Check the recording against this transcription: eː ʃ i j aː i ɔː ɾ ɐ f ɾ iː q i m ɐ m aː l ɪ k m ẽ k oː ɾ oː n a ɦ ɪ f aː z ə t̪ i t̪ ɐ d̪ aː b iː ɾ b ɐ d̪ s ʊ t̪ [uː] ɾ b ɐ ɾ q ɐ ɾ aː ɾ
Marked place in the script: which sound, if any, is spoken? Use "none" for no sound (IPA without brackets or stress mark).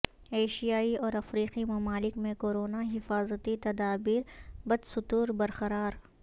uː